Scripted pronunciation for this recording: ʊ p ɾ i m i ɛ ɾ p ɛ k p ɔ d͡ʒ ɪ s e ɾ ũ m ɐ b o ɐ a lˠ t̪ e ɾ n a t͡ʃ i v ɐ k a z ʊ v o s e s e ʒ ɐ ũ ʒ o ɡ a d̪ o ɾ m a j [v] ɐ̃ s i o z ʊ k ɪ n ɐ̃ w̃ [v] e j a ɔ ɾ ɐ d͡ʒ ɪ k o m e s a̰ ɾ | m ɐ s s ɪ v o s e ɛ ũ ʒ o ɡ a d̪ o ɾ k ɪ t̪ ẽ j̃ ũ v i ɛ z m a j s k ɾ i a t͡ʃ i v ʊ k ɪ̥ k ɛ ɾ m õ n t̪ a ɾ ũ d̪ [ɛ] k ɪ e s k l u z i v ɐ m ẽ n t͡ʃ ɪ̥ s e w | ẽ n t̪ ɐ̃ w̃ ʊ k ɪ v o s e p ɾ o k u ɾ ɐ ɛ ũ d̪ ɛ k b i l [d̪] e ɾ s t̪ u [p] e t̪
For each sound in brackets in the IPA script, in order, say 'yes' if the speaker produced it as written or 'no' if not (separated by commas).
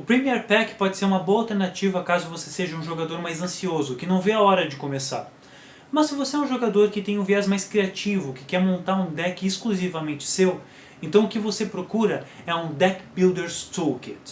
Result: no, yes, yes, yes, no